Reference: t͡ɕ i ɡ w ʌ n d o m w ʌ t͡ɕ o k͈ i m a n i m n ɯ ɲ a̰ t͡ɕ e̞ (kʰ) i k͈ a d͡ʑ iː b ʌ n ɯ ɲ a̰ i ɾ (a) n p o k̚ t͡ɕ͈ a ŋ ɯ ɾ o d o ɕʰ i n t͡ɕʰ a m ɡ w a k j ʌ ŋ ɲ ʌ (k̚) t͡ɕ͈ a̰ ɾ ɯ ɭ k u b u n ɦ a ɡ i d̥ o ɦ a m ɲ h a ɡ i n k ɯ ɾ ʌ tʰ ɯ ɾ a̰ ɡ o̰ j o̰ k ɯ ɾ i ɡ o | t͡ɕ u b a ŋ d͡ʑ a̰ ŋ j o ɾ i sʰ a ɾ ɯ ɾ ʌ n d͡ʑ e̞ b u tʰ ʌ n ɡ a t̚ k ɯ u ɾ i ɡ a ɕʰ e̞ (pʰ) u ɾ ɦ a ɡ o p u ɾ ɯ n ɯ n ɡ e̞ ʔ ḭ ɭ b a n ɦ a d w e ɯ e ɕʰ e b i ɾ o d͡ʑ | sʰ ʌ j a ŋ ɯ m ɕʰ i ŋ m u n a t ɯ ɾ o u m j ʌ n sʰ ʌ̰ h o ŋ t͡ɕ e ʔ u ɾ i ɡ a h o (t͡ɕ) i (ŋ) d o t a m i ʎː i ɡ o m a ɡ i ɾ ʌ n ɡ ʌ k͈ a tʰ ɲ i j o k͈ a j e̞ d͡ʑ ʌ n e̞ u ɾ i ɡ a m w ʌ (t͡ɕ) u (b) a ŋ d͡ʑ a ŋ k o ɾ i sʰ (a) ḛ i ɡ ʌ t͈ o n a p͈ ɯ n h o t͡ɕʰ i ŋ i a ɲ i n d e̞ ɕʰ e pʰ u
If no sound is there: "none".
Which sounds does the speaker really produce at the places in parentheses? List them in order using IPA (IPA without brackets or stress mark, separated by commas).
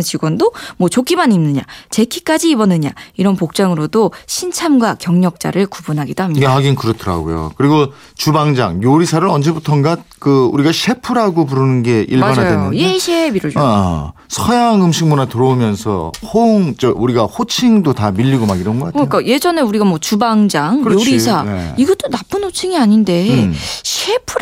kʰ, ʌ, k̚, pʰ, t͡ɕʰ, ŋ, t͡ɕ, b, a